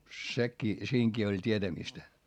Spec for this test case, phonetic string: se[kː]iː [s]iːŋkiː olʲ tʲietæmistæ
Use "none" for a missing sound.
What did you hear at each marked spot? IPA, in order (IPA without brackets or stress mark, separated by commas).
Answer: kː, s